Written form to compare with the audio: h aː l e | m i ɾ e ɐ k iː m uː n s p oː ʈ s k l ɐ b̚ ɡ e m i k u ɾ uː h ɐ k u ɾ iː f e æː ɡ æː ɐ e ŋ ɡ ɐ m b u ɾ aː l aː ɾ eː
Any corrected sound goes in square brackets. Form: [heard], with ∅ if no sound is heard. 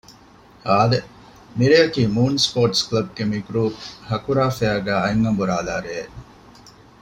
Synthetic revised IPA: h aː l e | m i ɾ e ɐ k iː m uː n s p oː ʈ s k l ɐ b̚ ɡ e m i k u ɾ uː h ɐ k u ɾ [aː] f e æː ɡ æː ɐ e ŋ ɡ ɐ m b u ɾ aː l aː ɾ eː